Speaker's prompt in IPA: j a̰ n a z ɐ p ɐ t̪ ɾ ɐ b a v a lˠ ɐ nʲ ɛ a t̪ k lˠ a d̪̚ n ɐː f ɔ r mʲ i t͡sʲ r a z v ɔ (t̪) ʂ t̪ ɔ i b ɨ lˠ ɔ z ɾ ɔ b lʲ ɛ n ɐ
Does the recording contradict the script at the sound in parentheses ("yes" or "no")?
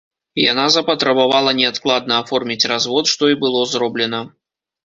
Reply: no